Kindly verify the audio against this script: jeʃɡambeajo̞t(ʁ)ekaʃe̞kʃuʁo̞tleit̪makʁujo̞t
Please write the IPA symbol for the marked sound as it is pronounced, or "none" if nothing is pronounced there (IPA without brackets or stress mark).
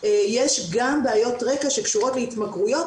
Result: ʁ